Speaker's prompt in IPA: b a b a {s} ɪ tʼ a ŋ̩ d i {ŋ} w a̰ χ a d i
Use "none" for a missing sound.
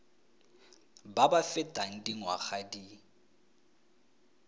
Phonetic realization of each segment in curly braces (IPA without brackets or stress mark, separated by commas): f, ŋ